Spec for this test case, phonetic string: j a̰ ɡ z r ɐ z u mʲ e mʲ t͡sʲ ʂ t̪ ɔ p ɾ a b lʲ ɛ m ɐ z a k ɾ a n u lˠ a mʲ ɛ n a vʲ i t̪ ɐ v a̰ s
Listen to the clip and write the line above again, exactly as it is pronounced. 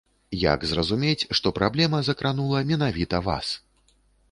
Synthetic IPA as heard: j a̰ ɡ z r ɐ z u mʲ e t͡sʲ ʂ t̪ ɔ p ɾ a b lʲ ɛ m ɐ z ɐ k ɾ a n u lˠ ɐ mʲ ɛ n a vʲ i t̪ ɐ v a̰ s